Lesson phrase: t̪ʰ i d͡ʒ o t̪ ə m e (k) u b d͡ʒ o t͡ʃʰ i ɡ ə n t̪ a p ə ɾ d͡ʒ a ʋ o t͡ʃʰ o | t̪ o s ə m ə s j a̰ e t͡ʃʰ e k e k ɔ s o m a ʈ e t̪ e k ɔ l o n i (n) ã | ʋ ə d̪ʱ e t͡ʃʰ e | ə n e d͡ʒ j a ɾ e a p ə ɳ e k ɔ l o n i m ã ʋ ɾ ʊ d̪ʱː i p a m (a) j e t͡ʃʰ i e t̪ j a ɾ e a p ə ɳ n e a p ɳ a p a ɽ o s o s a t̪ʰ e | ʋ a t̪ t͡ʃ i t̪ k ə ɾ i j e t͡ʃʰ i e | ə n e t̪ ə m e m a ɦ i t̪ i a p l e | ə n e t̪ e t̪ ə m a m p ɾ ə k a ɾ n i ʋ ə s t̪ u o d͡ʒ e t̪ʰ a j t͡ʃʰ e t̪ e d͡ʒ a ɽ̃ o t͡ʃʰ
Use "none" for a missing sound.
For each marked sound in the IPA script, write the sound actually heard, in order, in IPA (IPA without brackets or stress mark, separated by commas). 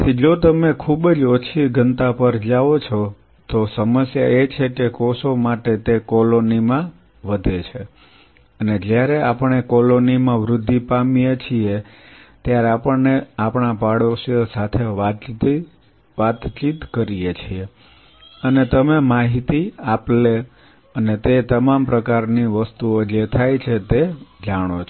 kʰ, m, i